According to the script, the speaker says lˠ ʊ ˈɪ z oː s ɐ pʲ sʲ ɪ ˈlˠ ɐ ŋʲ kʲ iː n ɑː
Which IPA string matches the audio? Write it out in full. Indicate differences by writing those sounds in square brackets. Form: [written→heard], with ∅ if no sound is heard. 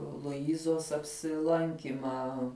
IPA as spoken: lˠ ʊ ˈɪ z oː s ɐ pʲ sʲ ɪ ˈlˠ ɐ ŋʲ kʲ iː [n→m] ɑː

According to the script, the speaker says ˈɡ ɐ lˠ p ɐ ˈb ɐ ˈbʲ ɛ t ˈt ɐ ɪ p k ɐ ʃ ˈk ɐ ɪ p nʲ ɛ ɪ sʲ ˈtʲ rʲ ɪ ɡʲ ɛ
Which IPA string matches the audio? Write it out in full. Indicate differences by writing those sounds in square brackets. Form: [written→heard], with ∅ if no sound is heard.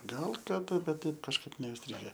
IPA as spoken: ˈɡ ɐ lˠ [p→k] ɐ [ˈb→ˈd] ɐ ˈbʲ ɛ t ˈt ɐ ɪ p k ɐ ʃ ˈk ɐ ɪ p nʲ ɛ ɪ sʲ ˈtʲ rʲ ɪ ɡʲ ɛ

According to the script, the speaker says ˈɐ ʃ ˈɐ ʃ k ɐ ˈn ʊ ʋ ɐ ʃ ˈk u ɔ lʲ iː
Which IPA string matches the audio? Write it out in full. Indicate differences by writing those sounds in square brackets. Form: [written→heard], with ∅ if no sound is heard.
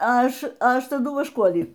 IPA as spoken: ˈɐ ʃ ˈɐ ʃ [k→t] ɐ [ˈn→ˈd] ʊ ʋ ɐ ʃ ˈk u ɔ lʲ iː

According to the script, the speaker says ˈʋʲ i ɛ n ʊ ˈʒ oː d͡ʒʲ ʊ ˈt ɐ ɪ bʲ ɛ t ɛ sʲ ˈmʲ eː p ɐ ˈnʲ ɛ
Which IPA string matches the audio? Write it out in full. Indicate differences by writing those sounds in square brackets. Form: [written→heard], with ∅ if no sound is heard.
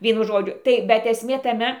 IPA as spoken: ˈʋʲ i ɛ n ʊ ˈʒ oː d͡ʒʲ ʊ ˈt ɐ ɪ bʲ ɛ t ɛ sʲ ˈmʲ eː [p→t] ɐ [ˈnʲ→ˈmʲ] ɛ

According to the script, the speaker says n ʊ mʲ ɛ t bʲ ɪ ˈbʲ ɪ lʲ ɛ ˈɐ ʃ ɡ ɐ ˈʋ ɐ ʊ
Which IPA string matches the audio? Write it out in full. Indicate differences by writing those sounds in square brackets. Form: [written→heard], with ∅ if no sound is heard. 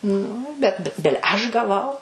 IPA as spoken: n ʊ [mʲ→bʲ] ɛ t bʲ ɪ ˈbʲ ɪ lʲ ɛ ˈɐ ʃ ɡ ɐ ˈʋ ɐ ʊ

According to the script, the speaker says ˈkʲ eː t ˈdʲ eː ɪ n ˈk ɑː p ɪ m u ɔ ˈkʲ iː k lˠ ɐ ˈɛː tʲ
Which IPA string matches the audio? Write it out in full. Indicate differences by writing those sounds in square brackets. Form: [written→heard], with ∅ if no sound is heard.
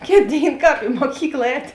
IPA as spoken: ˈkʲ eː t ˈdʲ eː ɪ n ˈk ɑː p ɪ m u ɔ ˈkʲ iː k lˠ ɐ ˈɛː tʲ

